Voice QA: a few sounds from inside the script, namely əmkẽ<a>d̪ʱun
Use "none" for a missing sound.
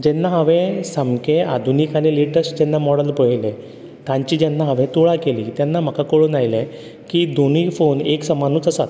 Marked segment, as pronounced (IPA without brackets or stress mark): a